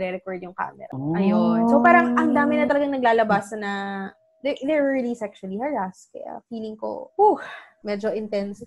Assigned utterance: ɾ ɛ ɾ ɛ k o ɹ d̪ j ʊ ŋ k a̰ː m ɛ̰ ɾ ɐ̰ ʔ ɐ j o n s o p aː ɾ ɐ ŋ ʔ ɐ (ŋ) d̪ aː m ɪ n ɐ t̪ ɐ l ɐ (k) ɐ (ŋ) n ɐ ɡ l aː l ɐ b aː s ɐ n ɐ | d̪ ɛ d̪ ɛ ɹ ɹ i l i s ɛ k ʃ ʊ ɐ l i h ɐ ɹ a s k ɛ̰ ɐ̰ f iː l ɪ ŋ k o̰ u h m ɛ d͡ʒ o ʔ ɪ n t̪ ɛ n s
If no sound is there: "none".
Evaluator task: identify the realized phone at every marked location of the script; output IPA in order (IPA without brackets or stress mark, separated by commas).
ŋ, ɡ, ŋ